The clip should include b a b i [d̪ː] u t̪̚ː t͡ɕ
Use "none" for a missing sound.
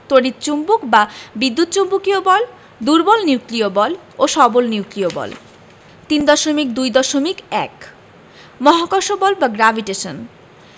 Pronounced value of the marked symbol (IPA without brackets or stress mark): d̪ː